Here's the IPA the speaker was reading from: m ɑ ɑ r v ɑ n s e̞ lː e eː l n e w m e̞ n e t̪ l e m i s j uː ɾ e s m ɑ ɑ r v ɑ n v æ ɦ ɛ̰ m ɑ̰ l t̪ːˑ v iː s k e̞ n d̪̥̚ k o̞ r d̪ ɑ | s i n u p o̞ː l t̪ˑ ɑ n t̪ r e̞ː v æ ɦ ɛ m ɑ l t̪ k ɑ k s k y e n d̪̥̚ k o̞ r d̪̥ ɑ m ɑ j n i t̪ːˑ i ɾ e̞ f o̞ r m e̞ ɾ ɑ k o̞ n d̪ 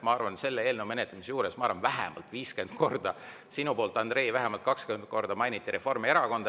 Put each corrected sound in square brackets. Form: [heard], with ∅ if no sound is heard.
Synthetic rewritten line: m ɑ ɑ r v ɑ n s e̞ lː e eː l n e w m e̞ n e t̪ l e m i s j uː ɾ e s m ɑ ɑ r v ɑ n v æ ɦ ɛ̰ m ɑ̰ l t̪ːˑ v iː s k e̞ n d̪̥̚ k o̞ r d̪ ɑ | s i n u p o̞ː l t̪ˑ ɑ n [d̪] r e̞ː v æ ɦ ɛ m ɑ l t̪ k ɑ k s k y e n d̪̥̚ k o̞ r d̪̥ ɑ m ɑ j n i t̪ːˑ i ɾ e̞ f o̞ r m e̞ ɾ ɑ k o̞ n d̪

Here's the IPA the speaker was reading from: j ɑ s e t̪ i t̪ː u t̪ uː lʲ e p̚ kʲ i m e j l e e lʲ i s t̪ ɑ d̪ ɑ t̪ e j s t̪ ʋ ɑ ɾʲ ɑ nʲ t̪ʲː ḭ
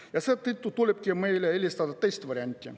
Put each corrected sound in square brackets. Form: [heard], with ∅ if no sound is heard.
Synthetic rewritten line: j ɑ s e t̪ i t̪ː u t̪ [u] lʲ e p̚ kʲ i m e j l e e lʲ i s t̪ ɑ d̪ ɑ t̪ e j s t̪ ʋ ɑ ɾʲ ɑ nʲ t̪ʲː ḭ

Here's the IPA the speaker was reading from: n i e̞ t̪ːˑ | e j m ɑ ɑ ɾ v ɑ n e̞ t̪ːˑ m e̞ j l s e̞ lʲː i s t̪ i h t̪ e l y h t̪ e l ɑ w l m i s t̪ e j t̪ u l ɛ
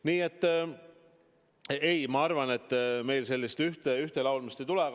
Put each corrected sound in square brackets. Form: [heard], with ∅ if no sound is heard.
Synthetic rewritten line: n [iː] e̞ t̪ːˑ | e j m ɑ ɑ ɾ v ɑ n e̞ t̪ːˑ m e̞ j l s e̞ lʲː i s t̪ [y] h t̪ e [∅] y h t̪ e l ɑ w l m i s t̪ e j t̪ u l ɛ

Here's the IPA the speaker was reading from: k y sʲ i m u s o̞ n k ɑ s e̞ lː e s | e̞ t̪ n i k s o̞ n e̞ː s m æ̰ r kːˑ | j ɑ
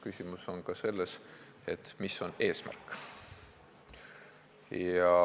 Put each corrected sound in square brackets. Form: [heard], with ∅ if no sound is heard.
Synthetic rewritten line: k y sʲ i m u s o̞ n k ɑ s e̞ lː e s | e̞ t̪ [m] i [∅] s o̞ n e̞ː s m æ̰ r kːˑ | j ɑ

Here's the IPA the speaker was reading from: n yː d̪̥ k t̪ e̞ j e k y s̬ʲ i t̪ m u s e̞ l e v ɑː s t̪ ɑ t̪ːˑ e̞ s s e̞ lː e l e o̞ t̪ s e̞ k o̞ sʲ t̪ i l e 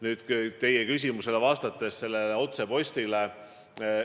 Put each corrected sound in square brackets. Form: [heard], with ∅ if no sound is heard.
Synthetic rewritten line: n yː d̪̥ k t̪ e̞ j e k y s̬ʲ i [∅] m u s e̞ l e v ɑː s t̪ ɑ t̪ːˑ e̞ s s e̞ lː e l e o̞ t̪ s e̞ [p] o̞ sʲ t̪ i l e

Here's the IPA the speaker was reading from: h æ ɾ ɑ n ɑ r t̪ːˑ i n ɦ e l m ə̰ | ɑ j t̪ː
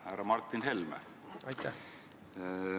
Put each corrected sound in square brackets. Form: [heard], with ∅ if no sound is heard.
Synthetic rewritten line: h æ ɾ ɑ [m] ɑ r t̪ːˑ i n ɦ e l m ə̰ | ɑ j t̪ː

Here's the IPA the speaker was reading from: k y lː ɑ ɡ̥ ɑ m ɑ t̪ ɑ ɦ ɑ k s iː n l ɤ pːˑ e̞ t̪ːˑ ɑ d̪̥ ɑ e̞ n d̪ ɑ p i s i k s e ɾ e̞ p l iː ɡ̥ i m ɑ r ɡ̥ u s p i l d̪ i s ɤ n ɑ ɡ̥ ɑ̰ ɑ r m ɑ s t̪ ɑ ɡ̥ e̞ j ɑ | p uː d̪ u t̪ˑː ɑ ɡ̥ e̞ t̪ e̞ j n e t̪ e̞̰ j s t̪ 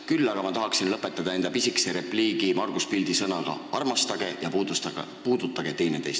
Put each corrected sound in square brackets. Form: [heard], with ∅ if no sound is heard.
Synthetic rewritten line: k y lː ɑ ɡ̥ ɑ m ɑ t̪ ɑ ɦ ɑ k s [i] n l ɤ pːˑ e̞ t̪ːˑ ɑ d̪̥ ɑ e̞ n d̪ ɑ p i s i k s e ɾ e̞ p l iː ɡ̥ i m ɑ r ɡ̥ u s p i l d̪ i s ɤ n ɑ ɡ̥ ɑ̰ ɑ r m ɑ s t̪ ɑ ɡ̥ e̞ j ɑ | p uː d̪ u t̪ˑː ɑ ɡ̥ e̞ t̪ e̞ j n e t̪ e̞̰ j s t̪

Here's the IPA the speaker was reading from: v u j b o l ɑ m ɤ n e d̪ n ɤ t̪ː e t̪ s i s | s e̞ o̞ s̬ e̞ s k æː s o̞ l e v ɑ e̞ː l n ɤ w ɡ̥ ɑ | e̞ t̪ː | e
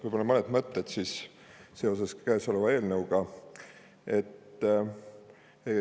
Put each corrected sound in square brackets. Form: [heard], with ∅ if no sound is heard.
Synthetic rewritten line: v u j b o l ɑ m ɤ n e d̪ [m] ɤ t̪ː e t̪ s i s | s e̞ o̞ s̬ e̞ s k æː s o̞ l e v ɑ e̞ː l n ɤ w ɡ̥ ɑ | e̞ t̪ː | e

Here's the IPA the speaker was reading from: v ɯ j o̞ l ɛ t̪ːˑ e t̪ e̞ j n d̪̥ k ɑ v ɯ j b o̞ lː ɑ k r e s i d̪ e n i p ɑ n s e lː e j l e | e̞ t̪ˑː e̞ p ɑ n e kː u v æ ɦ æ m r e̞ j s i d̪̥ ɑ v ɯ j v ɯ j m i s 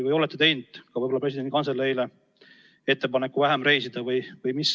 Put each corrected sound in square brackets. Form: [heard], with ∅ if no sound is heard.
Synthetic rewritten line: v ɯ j o̞ l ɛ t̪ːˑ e t̪ e̞ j n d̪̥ k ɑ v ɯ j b o̞ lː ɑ [p] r e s i d̪ e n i [k] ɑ n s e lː e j l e | e̞ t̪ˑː e̞ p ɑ n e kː u v æ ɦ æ m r e̞ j s i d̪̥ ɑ v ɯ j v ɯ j m i s

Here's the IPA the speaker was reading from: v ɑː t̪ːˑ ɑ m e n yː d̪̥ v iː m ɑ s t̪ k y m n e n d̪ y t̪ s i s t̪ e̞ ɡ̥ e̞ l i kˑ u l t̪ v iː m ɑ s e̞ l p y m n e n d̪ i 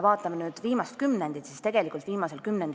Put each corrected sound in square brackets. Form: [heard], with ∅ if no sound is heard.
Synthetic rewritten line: v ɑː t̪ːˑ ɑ m e n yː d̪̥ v iː m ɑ s t̪ k y m n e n d̪ [i] t̪ s i s t̪ e̞ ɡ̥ e̞ l i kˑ u l t̪ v iː m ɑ s e̞ l [k] y m n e n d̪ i

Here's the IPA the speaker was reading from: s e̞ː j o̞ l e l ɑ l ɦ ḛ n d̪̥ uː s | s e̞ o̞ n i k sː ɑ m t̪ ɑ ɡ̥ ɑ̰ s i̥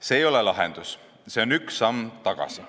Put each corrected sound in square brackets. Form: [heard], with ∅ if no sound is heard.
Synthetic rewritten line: s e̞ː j o̞ l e l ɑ [∅] ɦ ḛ n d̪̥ [u] s | s e̞ o̞ n [y] k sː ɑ m t̪ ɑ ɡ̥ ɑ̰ s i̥

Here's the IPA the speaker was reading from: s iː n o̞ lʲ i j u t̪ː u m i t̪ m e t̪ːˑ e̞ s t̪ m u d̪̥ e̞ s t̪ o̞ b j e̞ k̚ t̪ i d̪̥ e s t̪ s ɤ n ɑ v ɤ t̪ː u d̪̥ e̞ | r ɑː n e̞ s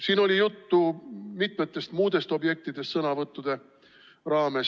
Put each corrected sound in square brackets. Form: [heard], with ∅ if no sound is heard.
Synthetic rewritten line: s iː n o̞ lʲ i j u t̪ː u m i t̪ m e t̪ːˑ e̞ s t̪ m [uː] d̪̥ e̞ s t̪ o̞ b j e̞ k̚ t̪ i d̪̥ e s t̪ s ɤ n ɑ v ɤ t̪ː u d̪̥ e̞ | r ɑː [m] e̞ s

